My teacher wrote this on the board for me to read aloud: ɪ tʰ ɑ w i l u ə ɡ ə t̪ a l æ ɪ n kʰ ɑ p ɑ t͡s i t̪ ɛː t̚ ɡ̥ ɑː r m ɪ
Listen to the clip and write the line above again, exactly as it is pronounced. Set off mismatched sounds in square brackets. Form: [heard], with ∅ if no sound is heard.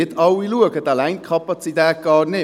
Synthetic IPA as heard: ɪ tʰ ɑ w i l u ə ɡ ə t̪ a l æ ɪ n kʰ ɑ p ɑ t͡s i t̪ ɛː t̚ ɡ̥ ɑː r [n] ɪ